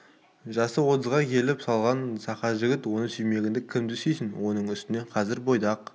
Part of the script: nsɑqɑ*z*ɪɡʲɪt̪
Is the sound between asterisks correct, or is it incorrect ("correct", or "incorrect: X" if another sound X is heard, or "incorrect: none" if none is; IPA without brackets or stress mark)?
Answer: incorrect: ʒ